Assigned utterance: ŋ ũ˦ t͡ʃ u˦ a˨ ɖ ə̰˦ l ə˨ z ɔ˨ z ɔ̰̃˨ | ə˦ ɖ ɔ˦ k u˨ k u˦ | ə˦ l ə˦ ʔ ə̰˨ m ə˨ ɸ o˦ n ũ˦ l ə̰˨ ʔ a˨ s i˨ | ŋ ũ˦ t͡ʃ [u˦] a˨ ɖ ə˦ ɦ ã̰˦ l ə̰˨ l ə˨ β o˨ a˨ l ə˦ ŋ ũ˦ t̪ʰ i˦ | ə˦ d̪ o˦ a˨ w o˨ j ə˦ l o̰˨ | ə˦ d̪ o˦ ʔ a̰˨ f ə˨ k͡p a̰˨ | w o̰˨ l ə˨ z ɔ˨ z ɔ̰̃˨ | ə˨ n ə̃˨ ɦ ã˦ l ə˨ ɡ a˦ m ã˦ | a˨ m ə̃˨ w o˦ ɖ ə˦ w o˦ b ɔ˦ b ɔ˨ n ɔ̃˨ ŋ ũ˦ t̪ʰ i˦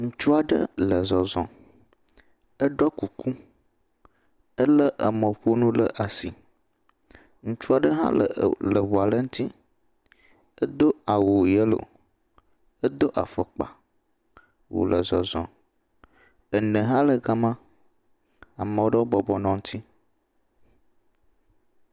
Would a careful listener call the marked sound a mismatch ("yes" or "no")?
no